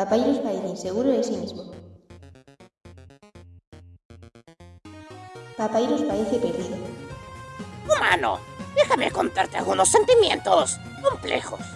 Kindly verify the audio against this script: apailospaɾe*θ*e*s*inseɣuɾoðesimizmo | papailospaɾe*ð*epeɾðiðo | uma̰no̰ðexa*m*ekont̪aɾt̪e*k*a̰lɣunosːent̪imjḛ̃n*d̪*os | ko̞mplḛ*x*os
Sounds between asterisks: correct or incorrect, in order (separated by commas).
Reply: correct, incorrect, incorrect, correct, incorrect, incorrect, correct